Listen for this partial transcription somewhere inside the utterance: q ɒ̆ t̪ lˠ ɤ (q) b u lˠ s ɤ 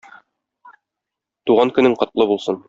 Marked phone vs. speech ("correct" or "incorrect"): incorrect